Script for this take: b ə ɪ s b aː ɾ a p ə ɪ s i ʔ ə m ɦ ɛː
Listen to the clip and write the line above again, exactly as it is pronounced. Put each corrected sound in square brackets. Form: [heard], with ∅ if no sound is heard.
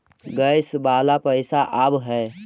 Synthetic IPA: [ɡ] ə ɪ s b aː [l] a p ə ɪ s [a] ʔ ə [b] ɦ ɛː